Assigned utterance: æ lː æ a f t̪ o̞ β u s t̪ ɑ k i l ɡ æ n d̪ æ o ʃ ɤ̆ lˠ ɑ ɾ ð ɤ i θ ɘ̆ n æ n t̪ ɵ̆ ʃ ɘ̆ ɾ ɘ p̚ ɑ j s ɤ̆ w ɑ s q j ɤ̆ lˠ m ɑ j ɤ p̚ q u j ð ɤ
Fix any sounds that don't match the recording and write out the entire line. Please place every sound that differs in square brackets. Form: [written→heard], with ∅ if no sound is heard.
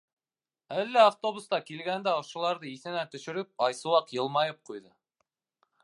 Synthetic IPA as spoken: æ lː æ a f t̪ o̞ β u s t̪ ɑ k i l ɡ æ n d̪ æ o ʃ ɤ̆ lˠ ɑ ɾ ð ɤ i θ ɘ̆ n æ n t̪ ɵ̆ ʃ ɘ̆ ɾ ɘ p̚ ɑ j s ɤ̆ w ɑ [s→∅] q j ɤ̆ lˠ m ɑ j ɤ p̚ q u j ð ɤ